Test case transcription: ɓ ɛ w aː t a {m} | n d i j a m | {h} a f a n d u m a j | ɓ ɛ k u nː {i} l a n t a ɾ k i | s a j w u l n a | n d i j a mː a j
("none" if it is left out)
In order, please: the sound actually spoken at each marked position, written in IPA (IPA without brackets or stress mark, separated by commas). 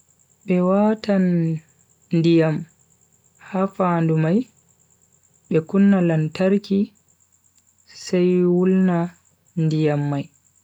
n, h, a